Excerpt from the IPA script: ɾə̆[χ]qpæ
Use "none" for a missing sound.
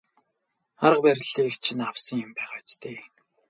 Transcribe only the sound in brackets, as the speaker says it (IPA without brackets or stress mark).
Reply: none